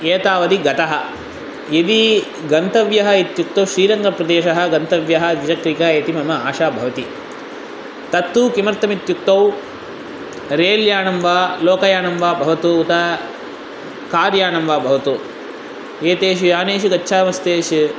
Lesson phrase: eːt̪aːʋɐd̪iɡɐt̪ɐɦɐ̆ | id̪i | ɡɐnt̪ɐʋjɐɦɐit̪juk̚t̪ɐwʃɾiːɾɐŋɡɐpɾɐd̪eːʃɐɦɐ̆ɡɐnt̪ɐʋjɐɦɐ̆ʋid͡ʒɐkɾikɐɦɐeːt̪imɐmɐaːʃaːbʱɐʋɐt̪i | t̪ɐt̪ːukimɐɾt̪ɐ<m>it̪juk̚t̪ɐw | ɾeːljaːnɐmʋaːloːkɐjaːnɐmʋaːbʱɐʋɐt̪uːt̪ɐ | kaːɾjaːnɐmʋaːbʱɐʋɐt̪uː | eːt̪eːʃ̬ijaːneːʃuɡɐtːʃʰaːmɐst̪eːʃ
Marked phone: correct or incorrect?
correct